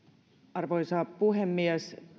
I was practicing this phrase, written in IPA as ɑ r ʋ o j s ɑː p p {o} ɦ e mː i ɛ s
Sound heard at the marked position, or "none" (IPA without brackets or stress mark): u